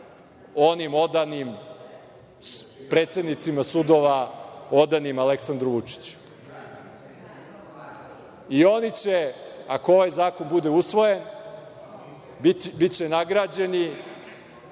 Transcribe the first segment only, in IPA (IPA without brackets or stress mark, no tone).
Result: o̞